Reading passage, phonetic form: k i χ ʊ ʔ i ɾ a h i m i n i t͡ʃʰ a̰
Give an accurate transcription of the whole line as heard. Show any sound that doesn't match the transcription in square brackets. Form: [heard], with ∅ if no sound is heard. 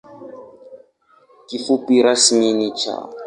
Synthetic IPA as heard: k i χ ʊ [p] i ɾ a [s] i m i n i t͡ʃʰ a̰